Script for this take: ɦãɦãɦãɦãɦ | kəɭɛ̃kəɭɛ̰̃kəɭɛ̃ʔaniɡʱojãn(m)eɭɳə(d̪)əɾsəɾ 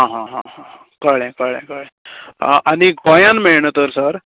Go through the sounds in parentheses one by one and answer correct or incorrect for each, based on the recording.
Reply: correct, incorrect

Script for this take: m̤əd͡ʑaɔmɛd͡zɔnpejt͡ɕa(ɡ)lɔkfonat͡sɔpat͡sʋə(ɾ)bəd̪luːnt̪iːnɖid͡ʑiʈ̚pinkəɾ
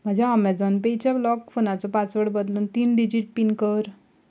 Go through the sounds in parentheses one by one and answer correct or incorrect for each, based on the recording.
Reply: incorrect, incorrect

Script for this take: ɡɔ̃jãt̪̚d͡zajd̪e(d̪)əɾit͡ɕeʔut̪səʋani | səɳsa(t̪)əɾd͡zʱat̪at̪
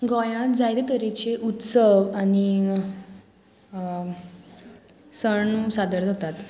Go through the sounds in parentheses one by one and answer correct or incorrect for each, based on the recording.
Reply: incorrect, incorrect

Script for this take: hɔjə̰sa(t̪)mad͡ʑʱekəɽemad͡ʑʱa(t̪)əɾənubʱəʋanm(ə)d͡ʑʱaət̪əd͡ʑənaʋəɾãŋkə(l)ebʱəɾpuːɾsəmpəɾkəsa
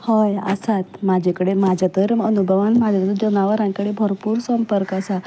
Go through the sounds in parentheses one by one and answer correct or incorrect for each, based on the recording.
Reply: correct, correct, incorrect, incorrect

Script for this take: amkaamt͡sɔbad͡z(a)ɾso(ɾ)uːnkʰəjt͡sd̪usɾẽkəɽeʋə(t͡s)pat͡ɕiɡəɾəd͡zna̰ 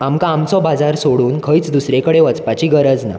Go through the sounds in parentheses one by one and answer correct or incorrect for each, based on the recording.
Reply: correct, incorrect, correct

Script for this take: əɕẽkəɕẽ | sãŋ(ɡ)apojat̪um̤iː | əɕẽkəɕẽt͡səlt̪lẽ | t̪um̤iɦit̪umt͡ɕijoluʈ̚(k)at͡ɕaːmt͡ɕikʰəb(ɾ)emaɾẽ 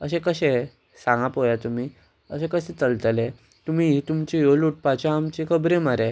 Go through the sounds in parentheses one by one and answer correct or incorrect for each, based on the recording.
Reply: correct, incorrect, correct

